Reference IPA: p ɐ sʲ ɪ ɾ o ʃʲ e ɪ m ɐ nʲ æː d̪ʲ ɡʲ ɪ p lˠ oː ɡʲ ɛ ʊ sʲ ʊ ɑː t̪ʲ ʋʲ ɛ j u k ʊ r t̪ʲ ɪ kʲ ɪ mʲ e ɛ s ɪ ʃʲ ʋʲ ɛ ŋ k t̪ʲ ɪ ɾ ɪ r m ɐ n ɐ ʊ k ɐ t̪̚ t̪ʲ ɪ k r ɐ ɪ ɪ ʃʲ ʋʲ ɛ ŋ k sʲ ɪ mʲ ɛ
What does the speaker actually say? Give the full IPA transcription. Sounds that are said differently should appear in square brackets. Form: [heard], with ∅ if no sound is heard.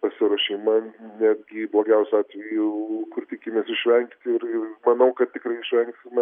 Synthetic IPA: p ɐ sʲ ɪ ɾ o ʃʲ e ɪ m ɐ nʲ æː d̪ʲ ɡʲ ɪ [b] lˠ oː ɡʲ ɛ ʊ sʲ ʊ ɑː t̪ʲ ʋʲ ɛ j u k ʊ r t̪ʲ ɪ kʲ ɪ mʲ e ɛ s ɪ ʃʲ ʋʲ ɛ ŋ k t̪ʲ ɪ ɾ ɪ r m ɐ n ɐ ʊ k ɐ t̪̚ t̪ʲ ɪ k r ɐ ɪ ɪ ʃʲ ʋʲ ɛ ŋ k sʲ ɪ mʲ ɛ

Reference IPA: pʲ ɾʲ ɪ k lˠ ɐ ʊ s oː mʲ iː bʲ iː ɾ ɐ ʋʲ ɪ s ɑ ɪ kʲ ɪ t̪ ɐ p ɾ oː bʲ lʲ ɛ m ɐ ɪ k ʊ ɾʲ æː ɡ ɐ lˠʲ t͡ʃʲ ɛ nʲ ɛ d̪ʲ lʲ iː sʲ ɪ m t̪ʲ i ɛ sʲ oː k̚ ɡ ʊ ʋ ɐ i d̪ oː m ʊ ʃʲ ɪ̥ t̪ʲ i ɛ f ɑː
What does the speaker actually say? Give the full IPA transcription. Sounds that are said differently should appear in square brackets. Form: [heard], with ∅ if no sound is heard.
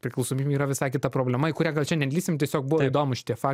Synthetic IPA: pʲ ɾʲ ɪ k lˠ ɐ ʊ s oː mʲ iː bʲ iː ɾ ɐ ʋʲ ɪ s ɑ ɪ kʲ ɪ t̪ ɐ p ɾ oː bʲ lʲ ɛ m ɐ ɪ k ʊ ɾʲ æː ɡ ɐ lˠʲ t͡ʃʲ ɛ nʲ ɛ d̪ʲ lʲ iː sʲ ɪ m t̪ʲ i ɛ sʲ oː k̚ [b] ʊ ʋ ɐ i d̪ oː m ʊ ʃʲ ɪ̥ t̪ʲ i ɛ f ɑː

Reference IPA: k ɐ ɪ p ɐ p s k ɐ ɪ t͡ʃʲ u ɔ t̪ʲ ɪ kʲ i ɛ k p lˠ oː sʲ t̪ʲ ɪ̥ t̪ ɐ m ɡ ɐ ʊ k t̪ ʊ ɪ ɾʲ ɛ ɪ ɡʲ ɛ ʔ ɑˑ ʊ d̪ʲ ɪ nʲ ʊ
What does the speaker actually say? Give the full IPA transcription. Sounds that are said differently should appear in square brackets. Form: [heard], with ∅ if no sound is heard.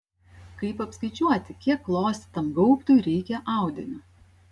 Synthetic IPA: k ɐ ɪ p ɐ p s k ɐ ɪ t͡ʃʲ u ɔ t̪ʲ ɪ kʲ i ɛ k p lˠ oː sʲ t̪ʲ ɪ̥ t̪ ɐ m ɡ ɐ ʊ [p] t̪ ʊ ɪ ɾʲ ɛ ɪ [kʲ] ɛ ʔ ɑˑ ʊ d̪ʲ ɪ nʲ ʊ

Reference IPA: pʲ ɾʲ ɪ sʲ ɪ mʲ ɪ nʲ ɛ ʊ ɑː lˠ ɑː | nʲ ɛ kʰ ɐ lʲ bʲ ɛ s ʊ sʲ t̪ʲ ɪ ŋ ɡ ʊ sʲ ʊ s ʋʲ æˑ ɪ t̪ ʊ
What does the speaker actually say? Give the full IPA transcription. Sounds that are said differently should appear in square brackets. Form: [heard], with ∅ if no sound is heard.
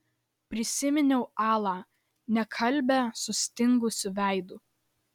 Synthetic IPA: pʲ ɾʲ ɪ sʲ ɪ mʲ ɪ nʲ ɛ ʊ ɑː lˠ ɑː | nʲ ɛ kʰ ɐ lʲ bʲ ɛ s ʊ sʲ t̪ʲ ɪ ŋ ɡ ʊ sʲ ʊ [∅] ʋʲ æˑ ɪ [d̪] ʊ

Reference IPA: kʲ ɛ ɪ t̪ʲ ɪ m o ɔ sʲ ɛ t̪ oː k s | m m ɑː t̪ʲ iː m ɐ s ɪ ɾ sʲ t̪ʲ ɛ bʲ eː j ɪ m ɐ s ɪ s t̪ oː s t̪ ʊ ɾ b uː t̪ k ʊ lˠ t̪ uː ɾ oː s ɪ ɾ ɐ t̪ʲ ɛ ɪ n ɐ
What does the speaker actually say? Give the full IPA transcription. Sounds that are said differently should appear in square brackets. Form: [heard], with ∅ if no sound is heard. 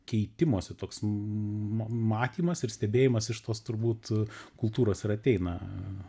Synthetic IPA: kʲ ɛ ɪ t̪ʲ ɪ m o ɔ sʲ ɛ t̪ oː k s | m m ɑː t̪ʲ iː m ɐ s ɪ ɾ sʲ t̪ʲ ɛ bʲ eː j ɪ m ɐ s ɪ [ʃ] t̪ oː s t̪ ʊ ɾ b uː t̪ k ʊ lˠ t̪ uː ɾ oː s ɪ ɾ ɐ t̪ʲ ɛ ɪ n ɐ

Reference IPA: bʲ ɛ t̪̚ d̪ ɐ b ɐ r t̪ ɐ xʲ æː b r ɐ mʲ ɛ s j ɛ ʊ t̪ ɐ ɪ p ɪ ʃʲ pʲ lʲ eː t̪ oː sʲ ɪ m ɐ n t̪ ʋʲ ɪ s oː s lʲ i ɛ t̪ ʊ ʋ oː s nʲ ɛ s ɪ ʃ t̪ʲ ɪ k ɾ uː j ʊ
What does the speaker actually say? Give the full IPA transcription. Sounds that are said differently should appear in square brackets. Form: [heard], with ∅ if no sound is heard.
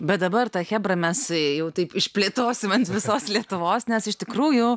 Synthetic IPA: bʲ ɛ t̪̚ d̪ ɐ b ɐ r t̪ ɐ xʲ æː b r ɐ mʲ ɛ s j ɛ ʊ t̪ ɐ ɪ p ɪ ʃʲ pʲ lʲ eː t̪ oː sʲ ɪ m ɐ n t̪ ʋʲ ɪ s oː s lʲ i ɛ t̪ ʊ ʋ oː s nʲ ɛ s ɪ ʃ t̪ʲ ɪ k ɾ uː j ʊ

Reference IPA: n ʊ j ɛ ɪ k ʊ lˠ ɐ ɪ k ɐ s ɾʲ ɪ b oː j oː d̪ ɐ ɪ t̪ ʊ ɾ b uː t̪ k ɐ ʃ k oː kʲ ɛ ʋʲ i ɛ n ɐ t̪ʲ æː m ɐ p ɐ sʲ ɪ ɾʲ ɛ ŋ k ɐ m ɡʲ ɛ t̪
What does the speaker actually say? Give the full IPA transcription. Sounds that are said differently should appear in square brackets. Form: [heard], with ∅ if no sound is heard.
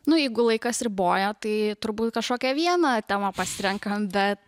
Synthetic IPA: n ʊ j ɛ ɪ [ɡ] ʊ lˠ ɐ ɪ k ɐ s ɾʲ ɪ b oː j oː [t̪] ɐ ɪ t̪ ʊ ɾ b uː t̪ k ɐ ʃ k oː kʲ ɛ ʋʲ i ɛ n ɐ t̪ʲ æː m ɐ p ɐ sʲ ɪ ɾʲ ɛ ŋ k ɐ m [bʲ] ɛ t̪

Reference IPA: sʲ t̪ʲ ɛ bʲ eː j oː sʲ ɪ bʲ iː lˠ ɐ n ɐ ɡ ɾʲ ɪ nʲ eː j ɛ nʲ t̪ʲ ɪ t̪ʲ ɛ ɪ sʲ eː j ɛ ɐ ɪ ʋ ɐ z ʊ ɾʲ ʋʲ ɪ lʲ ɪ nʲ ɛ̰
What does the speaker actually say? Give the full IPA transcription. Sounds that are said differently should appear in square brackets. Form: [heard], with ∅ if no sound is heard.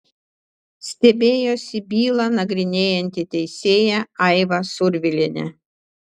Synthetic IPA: sʲ t̪ʲ ɛ bʲ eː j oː sʲ ɪ bʲ iː lˠ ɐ n ɐ ɡ ɾʲ ɪ nʲ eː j ɛ nʲ t̪ʲ ɪ t̪ʲ ɛ ɪ sʲ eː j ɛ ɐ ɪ ʋ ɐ [s] ʊ ɾʲ ʋʲ ɪ lʲ ɪ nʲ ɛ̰

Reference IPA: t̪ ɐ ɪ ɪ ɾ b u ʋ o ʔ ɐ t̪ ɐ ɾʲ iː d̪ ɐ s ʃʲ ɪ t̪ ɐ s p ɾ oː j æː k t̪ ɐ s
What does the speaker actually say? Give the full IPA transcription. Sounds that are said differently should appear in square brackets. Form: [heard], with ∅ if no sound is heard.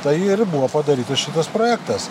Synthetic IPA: t̪ ɐ ɪ ɪ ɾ b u ʋ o [p] ɐ [d̪] ɐ ɾʲ iː [t̪] ɐ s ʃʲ ɪ t̪ ɐ s p ɾ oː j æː k t̪ ɐ s

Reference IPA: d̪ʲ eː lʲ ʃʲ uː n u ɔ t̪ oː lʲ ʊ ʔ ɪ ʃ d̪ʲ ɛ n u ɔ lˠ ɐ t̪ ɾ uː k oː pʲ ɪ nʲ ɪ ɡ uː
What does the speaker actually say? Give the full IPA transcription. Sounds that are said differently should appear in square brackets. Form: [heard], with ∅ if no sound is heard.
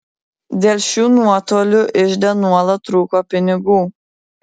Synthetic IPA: d̪ʲ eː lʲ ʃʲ uː n u ɔ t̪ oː lʲ ʊ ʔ ɪ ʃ d̪ʲ ɛ n u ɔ lˠ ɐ t̪ ɾ uː k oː pʲ ɪ nʲ ɪ ɡ uː

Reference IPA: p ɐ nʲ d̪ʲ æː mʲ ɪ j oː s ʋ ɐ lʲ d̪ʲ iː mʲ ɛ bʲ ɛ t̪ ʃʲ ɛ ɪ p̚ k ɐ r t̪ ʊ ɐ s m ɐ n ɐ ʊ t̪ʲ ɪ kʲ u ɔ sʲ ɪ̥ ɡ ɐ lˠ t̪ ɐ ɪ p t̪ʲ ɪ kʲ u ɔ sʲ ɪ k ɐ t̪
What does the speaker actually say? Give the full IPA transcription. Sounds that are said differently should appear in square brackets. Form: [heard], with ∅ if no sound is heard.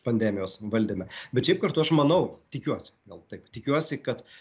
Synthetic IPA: p ɐ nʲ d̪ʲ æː mʲ ɪ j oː s ʋ ɐ lʲ d̪ʲ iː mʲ ɛ bʲ ɛ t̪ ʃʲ ɛ ɪ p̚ k ɐ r t̪ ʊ ɐ [ʃ] m ɐ n ɐ ʊ t̪ʲ ɪ kʲ u ɔ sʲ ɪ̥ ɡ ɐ lˠ t̪ ɐ ɪ p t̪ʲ ɪ kʲ u ɔ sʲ ɪ k ɐ t̪

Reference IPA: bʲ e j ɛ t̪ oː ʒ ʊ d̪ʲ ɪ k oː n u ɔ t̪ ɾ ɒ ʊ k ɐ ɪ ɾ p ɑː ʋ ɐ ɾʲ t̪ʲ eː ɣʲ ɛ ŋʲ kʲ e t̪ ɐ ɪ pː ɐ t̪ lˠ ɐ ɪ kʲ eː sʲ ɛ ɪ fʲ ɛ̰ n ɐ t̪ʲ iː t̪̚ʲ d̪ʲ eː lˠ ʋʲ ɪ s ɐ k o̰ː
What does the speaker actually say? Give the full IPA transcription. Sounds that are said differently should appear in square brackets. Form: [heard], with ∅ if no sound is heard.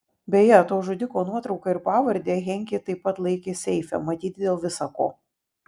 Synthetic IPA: bʲ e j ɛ t̪ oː ʒ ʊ d̪ʲ ɪ k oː n u ɔ t̪ ɾ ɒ ʊ k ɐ ɪ ɾ p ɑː ʋ ɐ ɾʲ [d̪ʲ] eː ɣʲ ɛ ŋʲ kʲ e t̪ ɐ ɪ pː ɐ t̪ lˠ ɐ ɪ kʲ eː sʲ ɛ ɪ fʲ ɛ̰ [m] ɐ t̪ʲ iː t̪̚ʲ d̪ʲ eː lˠ ʋʲ ɪ s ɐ k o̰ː

